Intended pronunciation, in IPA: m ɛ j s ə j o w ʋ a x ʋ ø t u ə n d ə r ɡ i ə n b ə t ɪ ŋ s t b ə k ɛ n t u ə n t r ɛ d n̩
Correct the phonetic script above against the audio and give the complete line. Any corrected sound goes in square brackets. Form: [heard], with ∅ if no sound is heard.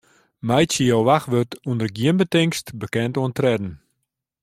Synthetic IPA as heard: m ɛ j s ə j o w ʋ a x ʋ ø t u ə n d ə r ɡ i ə n b ə t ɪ ŋ s t b ə k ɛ n t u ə n t r ɛ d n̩